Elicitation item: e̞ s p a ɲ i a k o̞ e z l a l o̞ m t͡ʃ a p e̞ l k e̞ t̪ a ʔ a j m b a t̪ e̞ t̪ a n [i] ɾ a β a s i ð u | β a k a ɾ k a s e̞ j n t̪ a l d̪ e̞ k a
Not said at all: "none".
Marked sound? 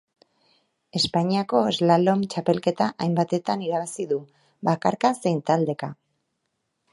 i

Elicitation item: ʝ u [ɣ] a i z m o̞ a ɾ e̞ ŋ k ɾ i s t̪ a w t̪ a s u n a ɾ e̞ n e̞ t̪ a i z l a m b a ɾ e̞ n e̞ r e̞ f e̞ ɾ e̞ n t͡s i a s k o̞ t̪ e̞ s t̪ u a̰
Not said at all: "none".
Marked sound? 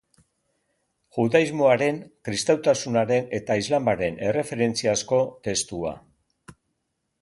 ð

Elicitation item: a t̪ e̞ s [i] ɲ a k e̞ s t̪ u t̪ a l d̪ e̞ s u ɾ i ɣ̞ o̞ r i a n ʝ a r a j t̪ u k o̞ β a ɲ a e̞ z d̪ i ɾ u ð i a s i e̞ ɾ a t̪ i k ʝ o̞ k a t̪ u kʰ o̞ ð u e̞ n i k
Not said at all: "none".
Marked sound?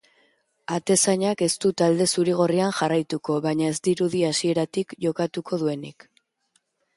a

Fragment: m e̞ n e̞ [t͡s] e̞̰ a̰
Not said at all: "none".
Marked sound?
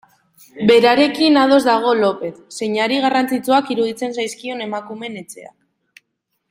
t͡s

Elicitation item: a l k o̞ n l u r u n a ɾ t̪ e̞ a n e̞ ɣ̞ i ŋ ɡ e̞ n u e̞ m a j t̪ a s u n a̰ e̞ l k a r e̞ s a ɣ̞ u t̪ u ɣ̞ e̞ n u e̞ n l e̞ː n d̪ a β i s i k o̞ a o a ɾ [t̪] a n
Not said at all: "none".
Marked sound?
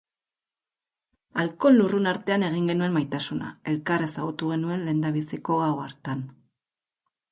t̪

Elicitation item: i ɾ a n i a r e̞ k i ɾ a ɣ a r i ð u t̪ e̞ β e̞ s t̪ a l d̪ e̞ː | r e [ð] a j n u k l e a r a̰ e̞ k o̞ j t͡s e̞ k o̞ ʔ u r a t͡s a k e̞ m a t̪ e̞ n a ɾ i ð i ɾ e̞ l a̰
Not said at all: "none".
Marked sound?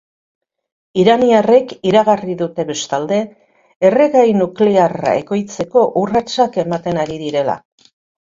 ɣ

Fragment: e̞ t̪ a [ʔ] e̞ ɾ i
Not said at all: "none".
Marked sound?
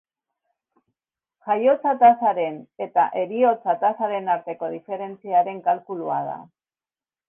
ʔ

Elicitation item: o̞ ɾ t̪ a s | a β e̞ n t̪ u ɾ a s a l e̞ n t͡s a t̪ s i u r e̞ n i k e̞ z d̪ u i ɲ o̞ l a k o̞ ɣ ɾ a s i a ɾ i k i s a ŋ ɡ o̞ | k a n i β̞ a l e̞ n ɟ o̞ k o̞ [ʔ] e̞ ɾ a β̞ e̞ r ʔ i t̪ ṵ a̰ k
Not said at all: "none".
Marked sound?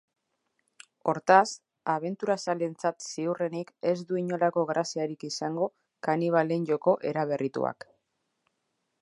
ʔ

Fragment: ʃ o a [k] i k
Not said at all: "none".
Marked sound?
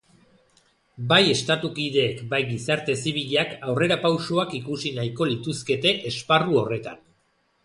k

